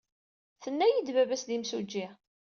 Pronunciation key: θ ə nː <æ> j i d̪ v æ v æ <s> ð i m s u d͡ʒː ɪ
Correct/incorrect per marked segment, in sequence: correct, correct

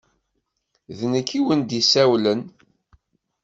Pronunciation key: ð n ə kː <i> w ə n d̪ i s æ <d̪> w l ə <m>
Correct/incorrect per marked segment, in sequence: correct, incorrect, incorrect

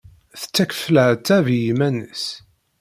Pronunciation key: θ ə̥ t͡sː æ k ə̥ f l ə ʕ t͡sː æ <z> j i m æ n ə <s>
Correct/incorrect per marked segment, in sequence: incorrect, correct

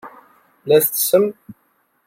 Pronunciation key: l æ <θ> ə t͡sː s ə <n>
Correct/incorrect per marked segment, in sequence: correct, incorrect

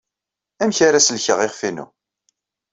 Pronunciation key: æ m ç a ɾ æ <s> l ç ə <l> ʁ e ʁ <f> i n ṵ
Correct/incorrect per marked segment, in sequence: correct, incorrect, correct

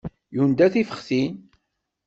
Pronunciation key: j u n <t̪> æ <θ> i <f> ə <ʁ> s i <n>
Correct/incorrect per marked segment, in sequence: incorrect, correct, correct, incorrect, correct

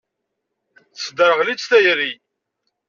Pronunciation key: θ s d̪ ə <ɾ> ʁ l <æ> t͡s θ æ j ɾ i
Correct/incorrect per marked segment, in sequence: correct, incorrect

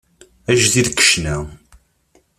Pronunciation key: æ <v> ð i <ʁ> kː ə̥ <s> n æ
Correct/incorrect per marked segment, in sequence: incorrect, incorrect, incorrect

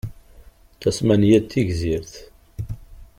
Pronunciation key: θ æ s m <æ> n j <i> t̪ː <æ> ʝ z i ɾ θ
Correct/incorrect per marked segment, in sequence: correct, incorrect, incorrect

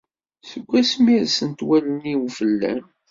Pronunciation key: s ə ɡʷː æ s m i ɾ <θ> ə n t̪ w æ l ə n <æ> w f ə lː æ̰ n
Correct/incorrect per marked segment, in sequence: incorrect, incorrect

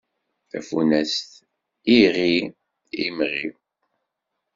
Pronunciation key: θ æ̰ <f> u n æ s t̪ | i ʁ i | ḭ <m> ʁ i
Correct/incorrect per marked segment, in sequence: correct, correct

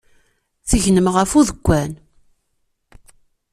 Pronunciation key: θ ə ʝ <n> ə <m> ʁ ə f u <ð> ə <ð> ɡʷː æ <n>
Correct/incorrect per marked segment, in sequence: correct, correct, correct, incorrect, correct

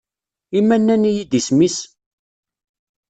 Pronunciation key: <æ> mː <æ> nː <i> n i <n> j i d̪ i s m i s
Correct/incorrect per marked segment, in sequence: incorrect, correct, incorrect, incorrect

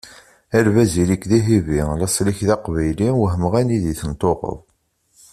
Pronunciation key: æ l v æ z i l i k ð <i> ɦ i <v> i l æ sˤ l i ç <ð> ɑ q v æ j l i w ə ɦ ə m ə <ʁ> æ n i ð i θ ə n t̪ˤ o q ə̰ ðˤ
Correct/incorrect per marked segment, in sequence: correct, correct, correct, correct

